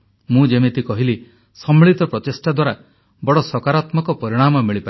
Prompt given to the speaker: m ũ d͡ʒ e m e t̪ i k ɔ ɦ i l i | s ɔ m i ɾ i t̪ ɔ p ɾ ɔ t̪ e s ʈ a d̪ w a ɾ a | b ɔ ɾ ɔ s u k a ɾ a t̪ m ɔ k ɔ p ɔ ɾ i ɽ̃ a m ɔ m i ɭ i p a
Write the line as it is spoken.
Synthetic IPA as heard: m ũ d͡ʒ e m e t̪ i k ɔ ɦ i l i | s ɔ m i ɭ i t̪ ɔ p ɾ ɔ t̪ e s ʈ a d̪ w a ɾ a | b ɔ ɽ ɔ s ɔ k a ɾ a t̪ m ɔ k ɔ p ɔ ɾ i ɽ̃ a m ɔ m i ɭ i p a